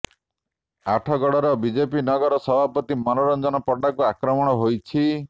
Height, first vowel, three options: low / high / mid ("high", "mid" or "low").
low